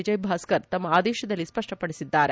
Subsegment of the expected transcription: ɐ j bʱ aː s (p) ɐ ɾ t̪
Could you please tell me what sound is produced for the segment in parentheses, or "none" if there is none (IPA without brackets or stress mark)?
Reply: k